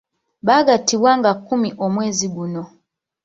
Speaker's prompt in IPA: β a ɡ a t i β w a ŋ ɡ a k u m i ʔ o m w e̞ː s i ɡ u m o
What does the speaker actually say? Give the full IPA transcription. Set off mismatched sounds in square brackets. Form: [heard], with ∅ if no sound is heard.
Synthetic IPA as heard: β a ɡ a t i β w a ŋ ɡ a k u m i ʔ o m w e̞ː [z] i ɡ u [n] o